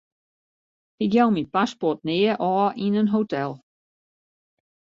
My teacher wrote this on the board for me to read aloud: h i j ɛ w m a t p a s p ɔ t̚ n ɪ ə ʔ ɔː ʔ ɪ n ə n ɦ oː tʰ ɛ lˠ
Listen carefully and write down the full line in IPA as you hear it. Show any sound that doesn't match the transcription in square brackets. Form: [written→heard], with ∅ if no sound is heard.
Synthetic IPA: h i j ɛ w m [a→i] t p a s p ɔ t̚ n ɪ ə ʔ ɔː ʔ [ɪ→i] n ə n ɦ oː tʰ ɛ lˠ